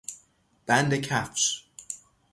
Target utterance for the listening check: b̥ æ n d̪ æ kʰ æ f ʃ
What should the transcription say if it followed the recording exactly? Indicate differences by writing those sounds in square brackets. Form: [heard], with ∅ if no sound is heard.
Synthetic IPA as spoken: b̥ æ n d̪ [e] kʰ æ f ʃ